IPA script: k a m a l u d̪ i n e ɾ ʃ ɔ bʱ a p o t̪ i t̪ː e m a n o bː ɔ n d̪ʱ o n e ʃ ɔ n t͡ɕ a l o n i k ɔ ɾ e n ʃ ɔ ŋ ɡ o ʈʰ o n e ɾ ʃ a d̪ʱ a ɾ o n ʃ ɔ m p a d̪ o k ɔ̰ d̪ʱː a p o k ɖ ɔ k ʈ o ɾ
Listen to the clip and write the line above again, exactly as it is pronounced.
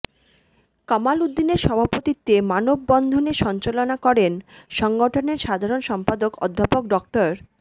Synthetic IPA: k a m a l u d̪ː i n e ɾ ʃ ɔ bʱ a p o t̪ i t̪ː e m a n o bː ɔ n d̪ʱ o n e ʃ ɔ n t͡ɕ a l o n a k ɔ ɾ e n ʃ ɔ ŋ ɡ o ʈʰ o n e ɾ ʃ a d̪ʱ a ɾ o n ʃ ɔ m p a d̪ o k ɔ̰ d̪ʱː a p o k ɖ ɔ k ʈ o ɾ